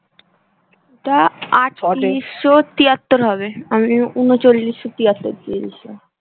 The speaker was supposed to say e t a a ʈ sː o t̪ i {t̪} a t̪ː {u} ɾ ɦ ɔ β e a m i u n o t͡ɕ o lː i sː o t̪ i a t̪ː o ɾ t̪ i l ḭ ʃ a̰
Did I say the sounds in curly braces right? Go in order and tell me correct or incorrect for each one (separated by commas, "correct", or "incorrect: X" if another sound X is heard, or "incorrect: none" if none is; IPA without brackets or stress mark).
incorrect: none, incorrect: o